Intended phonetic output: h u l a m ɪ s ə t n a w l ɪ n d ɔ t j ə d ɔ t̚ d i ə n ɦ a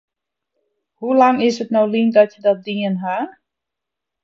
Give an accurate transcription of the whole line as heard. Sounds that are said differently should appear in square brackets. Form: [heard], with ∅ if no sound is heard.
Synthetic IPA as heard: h u l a [ŋ] ɪ s ə t n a w l [i] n d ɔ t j ə d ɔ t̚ d i ə n ɦ a